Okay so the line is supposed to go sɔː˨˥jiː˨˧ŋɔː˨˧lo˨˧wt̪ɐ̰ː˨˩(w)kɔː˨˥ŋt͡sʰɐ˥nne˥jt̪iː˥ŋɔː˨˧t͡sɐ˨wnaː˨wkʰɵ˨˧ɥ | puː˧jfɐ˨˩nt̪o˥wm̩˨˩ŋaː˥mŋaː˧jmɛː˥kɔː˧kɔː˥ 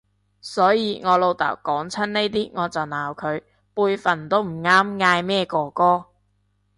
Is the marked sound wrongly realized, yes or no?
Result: no